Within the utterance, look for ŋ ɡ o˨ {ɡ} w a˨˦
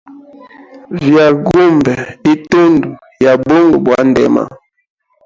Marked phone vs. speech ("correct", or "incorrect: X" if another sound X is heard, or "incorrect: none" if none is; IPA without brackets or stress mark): incorrect: b